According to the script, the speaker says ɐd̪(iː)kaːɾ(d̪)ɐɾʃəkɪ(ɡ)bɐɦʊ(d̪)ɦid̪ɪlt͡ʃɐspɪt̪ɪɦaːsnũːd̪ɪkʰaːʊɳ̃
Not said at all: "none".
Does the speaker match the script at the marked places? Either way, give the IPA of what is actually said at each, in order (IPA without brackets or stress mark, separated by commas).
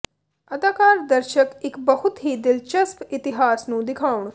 aː, d̪, k, t̪